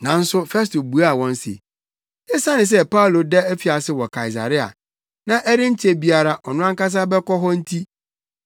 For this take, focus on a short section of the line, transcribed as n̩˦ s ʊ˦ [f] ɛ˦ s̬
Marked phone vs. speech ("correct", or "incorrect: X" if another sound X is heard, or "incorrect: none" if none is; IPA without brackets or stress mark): correct